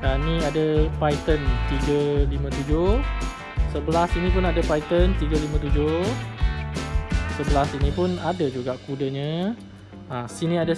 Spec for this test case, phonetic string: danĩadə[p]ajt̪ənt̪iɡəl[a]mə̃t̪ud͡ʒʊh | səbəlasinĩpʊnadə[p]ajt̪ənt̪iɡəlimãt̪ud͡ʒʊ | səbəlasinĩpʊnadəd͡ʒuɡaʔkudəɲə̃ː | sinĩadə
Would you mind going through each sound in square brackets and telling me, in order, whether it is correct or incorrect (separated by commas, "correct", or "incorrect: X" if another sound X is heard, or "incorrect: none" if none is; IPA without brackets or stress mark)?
correct, incorrect: i, correct